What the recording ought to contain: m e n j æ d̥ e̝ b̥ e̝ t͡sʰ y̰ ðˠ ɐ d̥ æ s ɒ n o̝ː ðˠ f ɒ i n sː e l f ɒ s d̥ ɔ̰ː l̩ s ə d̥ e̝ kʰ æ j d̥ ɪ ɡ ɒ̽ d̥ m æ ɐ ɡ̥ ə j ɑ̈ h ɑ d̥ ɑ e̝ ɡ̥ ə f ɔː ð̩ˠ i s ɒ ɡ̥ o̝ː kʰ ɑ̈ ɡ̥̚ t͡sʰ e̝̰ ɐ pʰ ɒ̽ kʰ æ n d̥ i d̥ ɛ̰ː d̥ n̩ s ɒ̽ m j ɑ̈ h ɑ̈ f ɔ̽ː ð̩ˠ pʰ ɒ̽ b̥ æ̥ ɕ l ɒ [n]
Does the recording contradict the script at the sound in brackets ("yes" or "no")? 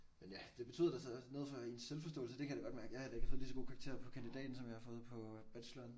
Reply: no